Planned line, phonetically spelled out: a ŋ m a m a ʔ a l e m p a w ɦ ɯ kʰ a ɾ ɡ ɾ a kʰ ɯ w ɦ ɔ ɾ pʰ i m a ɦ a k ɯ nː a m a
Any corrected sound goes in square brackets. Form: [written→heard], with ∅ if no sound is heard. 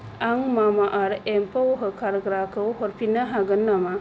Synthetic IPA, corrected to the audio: a ŋ m a m a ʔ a [l→ɾ] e m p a w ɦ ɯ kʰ a ɾ ɡ ɾ a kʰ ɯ w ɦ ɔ ɾ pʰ i [m→n] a ɦ a [k→ɡ] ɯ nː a m a